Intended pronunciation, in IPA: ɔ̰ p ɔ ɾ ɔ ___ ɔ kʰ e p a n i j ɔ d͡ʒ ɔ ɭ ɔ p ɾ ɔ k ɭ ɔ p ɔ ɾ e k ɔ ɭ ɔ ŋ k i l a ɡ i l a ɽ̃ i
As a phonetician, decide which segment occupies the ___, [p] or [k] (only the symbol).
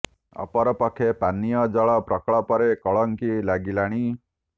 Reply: p